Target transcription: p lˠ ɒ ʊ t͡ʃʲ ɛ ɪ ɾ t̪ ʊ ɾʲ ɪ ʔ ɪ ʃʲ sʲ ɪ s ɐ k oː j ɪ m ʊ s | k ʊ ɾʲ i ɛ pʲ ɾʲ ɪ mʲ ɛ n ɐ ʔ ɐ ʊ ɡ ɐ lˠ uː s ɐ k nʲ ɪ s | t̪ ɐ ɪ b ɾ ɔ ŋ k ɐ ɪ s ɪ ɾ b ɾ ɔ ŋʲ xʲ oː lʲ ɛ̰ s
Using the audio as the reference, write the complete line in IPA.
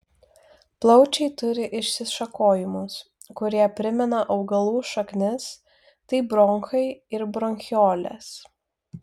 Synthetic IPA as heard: p lˠ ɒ ʊ t͡ʃʲ ɛ ɪ t̪ ʊ ɾʲ ɪ ʔ ɪ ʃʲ sʲ ɪ ʃ ɐ k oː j ɪ m ʊ s | k ʊ ɾʲ i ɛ pʲ ɾʲ ɪ mʲ ɛ n ɐ ʔ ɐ ʊ ɡ ɐ lˠ uː ʃ ɐ k nʲ ɪ s | t̪ ɐ ɪ b ɾ ɔ ŋ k ɐ ɪ ɪ ɾ b ɾ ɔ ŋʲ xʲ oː lʲ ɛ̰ s